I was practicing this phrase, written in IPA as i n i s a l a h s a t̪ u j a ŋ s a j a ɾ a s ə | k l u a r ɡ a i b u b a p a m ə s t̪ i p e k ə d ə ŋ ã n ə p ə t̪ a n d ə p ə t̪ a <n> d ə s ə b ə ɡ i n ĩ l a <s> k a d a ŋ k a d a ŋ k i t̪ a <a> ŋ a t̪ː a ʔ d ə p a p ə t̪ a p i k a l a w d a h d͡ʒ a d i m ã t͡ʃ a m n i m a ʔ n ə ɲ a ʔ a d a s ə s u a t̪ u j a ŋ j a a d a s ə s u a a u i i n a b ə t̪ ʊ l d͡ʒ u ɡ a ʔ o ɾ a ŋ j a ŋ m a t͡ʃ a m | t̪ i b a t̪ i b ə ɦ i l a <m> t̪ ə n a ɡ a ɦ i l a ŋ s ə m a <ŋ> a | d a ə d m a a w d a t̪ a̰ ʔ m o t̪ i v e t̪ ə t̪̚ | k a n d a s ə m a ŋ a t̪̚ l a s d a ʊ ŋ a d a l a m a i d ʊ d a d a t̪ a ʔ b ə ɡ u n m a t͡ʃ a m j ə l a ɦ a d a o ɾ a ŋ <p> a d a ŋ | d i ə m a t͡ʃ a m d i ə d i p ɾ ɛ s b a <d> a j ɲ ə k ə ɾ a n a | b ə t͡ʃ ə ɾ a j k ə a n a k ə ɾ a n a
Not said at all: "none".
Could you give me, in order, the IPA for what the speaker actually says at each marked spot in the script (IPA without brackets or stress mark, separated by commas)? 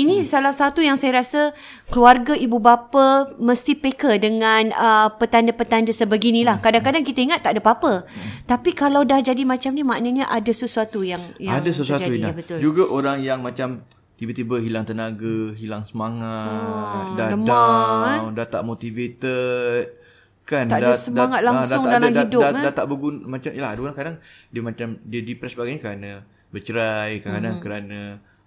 n, h, i, ŋ, ŋ, k, ɡ